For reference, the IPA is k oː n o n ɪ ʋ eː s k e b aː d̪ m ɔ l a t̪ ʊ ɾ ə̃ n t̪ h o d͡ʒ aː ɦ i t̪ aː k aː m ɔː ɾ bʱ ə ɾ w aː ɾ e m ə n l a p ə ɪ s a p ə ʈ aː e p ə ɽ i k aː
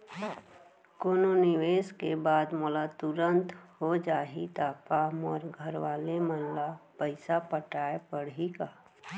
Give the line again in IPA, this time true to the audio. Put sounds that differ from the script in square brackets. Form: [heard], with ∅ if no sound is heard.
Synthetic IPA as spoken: k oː n o n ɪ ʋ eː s k e b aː d̪ m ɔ l a t̪ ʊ ɾ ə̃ n t̪ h o d͡ʒ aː ɦ i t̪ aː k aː m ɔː ɾ [ɡʱ] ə ɾ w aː [l] e m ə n l a p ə ɪ s a p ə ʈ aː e p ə ɽ i k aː